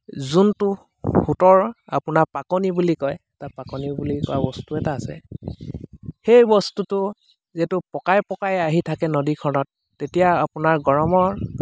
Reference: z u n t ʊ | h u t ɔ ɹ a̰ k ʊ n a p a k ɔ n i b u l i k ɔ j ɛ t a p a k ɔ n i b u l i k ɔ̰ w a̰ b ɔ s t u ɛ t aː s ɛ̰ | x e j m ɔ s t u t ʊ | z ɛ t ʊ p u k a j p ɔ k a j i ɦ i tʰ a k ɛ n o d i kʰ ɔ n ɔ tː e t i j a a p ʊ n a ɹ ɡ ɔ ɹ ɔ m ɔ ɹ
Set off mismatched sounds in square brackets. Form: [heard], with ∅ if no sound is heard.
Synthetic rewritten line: z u n t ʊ | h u t ɔ ɹ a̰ [p] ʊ n a p a k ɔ n i b u l i k ɔ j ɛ t a p a k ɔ n i b u l i k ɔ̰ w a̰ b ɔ s t u ɛ t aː s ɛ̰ | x e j [b] ɔ s t u t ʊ | z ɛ t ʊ p [ɔ] k a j p ɔ k a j [a] ɦ i tʰ a k ɛ n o d i kʰ ɔ n ɔ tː e t i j a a p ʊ n a ɹ ɡ ɔ ɹ ɔ m ɔ ɹ